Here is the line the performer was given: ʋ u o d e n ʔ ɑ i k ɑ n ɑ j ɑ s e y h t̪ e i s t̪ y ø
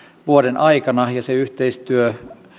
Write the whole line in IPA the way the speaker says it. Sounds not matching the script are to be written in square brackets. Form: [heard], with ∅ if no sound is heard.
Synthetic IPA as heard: ʋ u o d e n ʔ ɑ i k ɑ n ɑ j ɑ s e y h t̪ e i s t̪ y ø